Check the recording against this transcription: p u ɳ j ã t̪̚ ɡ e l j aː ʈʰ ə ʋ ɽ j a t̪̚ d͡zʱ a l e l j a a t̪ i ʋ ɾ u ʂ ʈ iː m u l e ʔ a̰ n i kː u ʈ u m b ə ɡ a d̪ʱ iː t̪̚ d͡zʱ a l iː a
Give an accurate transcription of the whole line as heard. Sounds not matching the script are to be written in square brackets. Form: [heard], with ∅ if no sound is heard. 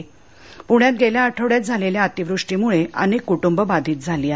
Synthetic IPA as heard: p u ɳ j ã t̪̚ ɡ e l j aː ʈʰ ə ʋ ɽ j a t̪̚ d͡zʱ a l e l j a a t̪ i ʋ ɾ u ʂ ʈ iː m u [ɭ] e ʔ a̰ n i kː u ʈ u m b ə [b] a d̪ʱ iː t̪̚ d͡zʱ a l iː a